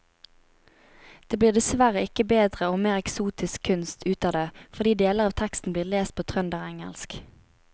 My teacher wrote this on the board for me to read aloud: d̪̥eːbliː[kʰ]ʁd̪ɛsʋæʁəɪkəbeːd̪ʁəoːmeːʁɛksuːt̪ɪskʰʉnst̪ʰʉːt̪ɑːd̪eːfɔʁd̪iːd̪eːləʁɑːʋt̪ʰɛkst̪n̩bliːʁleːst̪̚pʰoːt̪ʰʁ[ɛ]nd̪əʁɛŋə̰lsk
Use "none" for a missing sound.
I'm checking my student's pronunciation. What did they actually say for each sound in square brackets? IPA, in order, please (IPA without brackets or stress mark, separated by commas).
none, œ